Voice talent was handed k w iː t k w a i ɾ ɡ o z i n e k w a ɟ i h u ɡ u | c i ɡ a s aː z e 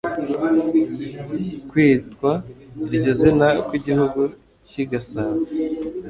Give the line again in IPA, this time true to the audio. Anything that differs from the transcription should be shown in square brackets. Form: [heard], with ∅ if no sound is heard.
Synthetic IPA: k w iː t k w a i ɾ [ɟ] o z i n [a] k w [i] ɟ i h u ɡ u | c i ɡ a s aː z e